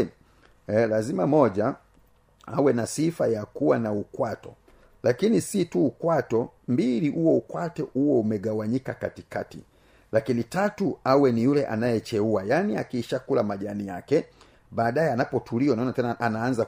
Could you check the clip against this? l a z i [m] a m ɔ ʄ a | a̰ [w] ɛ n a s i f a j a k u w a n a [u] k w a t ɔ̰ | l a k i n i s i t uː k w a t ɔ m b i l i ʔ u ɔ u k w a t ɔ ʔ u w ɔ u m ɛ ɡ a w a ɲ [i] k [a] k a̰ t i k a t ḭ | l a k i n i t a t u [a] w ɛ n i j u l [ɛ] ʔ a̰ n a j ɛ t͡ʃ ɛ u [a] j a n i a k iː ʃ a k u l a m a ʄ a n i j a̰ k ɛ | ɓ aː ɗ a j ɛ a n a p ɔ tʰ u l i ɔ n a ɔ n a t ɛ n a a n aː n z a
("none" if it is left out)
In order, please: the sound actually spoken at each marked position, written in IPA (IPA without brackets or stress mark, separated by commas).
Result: m, w, u, i, a, a, ɛ, a